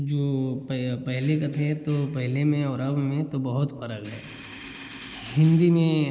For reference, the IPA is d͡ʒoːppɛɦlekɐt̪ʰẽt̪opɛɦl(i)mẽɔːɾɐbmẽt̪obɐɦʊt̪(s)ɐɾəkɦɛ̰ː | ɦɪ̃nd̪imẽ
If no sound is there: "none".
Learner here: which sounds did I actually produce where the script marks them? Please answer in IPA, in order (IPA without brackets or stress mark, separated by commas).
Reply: e, f